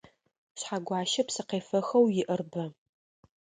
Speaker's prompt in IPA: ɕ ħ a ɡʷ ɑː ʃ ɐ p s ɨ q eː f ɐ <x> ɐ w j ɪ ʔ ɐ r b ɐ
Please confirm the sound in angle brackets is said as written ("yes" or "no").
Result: yes